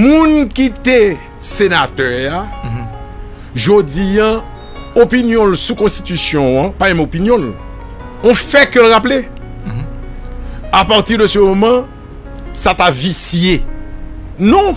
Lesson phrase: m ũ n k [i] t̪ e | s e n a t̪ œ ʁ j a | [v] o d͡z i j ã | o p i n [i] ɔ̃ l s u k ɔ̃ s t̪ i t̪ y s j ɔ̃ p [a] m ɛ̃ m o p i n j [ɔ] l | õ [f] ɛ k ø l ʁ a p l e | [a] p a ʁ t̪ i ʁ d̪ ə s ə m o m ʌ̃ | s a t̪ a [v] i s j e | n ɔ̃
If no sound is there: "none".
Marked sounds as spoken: i, ʒ, j, a, ɔ̃, f, a, v

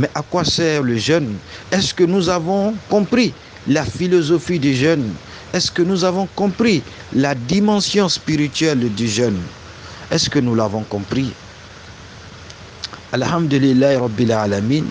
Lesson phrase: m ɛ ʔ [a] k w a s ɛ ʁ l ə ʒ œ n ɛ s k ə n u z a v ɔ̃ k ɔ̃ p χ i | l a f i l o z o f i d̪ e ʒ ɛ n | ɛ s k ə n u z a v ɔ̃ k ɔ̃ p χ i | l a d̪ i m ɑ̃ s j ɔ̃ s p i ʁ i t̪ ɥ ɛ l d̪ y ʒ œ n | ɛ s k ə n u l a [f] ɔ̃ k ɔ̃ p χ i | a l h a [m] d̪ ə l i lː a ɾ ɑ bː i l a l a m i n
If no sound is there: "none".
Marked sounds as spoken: a, v, m

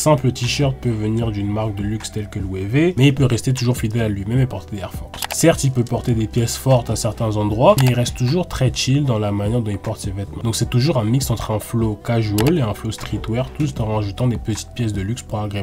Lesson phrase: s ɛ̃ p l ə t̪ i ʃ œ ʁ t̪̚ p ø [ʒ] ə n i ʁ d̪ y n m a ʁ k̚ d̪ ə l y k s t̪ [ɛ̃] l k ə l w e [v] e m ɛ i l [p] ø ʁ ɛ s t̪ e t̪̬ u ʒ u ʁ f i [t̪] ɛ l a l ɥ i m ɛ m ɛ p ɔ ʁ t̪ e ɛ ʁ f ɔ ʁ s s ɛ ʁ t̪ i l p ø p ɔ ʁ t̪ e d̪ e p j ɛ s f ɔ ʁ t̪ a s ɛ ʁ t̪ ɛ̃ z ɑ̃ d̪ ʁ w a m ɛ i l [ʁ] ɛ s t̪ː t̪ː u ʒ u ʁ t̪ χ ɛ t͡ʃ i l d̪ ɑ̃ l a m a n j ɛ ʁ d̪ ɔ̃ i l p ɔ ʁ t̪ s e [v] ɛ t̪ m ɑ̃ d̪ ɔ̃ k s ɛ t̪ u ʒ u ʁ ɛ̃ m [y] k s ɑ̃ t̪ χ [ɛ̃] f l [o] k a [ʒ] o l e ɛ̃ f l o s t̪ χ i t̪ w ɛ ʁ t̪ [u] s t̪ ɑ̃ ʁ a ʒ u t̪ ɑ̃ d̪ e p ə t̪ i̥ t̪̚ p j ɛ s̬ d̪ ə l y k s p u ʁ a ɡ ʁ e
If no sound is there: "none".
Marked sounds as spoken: v, ɛ, v, p, d̪, ʁ, v, i, ɛ̃, o, ʒ, u

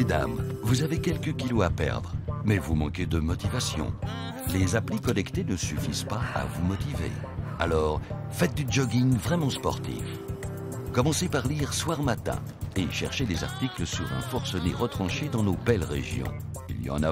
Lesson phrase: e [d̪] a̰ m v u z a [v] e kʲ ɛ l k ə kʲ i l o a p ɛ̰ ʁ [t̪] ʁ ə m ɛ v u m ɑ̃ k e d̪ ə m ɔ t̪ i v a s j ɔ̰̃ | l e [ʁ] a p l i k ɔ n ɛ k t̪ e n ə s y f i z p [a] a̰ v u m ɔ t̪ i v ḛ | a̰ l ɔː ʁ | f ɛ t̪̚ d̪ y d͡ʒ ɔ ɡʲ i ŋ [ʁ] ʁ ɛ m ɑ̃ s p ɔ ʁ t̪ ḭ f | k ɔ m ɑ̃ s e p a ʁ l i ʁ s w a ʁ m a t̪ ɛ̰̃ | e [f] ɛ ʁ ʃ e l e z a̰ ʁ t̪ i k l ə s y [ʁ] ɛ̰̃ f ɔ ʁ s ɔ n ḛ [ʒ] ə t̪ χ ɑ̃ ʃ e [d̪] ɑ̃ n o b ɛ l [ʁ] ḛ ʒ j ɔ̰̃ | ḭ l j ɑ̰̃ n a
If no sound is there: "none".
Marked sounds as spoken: d̪, v, d̪, z, a, v, ʃ, ʁ, ʁ, d̪, ʁ

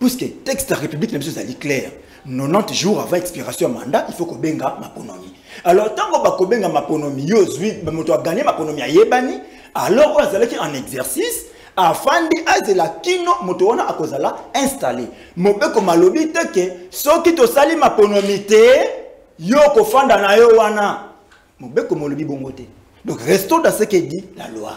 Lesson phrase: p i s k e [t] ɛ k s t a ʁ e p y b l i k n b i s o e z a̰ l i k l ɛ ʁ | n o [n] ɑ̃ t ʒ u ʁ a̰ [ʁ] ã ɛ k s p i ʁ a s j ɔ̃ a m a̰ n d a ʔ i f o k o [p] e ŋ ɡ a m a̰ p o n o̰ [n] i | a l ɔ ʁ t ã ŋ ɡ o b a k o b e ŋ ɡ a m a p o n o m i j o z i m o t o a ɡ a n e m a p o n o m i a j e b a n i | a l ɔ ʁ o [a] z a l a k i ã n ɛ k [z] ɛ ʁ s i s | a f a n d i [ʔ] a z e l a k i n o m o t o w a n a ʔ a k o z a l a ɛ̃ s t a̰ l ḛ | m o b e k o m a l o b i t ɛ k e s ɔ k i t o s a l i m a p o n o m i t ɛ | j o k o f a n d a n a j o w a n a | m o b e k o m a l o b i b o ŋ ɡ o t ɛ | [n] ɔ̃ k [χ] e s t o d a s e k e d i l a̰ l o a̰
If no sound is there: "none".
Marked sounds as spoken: t, n, v, b, m, a, z, ʔ, d, ʁ

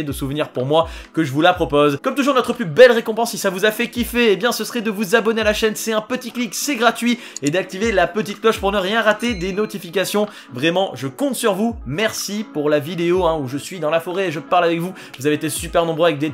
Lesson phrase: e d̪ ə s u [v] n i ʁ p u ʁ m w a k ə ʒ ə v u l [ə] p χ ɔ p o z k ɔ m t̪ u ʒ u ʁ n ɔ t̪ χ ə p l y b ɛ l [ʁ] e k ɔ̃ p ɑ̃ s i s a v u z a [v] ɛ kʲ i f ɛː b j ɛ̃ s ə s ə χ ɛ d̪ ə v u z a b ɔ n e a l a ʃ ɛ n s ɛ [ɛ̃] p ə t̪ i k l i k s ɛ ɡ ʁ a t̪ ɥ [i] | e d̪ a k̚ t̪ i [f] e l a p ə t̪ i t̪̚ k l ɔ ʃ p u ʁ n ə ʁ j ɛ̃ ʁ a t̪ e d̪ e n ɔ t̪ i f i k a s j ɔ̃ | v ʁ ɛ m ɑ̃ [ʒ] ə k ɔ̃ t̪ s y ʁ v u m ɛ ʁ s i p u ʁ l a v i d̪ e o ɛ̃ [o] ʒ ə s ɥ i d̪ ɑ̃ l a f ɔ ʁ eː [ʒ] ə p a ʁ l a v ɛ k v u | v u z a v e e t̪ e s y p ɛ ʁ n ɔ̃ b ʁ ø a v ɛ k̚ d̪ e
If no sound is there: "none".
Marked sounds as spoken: v, a, ʁ, f, ɛ̃, i, v, ʒ, u, ʒ

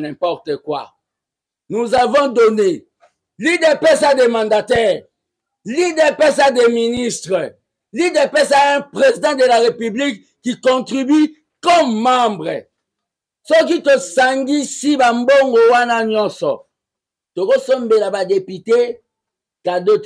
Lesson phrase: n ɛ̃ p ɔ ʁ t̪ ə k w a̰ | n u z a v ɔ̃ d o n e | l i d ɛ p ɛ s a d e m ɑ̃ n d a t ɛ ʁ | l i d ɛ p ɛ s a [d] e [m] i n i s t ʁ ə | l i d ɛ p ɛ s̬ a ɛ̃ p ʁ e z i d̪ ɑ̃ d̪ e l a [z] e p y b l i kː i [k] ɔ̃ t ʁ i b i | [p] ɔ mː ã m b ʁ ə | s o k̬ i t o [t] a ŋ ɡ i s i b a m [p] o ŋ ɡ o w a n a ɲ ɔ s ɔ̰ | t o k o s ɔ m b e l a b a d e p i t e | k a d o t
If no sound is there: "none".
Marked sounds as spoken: d, m, ʁ, k, k, s, b

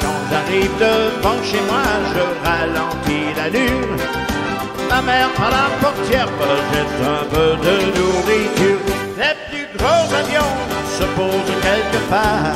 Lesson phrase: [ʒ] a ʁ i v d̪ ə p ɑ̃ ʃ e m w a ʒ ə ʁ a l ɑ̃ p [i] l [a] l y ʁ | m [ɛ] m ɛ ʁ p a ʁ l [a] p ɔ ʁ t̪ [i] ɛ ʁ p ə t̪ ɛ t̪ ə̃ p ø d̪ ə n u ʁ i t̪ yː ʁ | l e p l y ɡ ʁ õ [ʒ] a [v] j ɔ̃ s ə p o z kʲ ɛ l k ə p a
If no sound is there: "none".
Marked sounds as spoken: ʒ, i, a, a, a, j, z, v

